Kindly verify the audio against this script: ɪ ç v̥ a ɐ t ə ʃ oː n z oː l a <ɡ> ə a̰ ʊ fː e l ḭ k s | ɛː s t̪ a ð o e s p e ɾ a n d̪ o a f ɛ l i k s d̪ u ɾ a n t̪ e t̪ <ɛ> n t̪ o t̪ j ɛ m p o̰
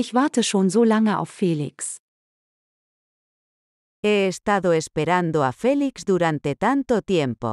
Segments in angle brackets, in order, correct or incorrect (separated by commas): incorrect, incorrect